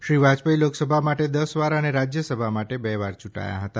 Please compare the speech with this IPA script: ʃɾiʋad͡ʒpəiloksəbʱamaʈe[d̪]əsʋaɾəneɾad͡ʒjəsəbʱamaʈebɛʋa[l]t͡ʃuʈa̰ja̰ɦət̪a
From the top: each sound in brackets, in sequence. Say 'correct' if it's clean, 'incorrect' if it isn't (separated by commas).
correct, incorrect